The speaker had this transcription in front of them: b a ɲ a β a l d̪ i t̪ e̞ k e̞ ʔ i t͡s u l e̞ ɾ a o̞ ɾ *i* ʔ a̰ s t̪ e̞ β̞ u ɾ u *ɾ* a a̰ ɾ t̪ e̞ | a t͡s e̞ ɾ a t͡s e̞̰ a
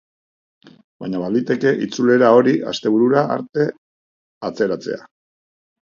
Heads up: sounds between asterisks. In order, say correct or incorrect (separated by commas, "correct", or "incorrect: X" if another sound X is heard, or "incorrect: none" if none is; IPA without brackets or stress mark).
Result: correct, correct